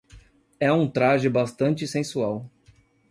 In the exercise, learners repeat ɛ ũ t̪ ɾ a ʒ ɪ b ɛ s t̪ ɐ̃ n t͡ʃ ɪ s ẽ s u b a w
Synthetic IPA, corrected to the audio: ɛ ũ t̪ ɾ a ʒ ɪ b a s t̪ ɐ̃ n t͡ʃ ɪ s ẽ s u a w